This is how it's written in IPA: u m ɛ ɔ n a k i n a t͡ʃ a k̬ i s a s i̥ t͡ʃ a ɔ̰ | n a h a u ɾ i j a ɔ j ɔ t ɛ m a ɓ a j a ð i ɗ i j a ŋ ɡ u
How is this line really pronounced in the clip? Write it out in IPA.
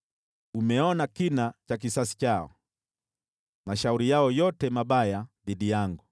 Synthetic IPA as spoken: u m ɛ ɔ n a k i n a t͡ʃ a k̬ i s a s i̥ t͡ʃ a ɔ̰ | m a ʃ a u ɾ i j a ɔ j ɔ t ɛ m a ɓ a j a ð i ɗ i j a ŋ ɡ u